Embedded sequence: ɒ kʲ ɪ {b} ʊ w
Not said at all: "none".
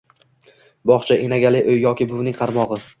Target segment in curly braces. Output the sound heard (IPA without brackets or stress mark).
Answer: b